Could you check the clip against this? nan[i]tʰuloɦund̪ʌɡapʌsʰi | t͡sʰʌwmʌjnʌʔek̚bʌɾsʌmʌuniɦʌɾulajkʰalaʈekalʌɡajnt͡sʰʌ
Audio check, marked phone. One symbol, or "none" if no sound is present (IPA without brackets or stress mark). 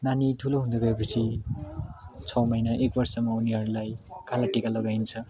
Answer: i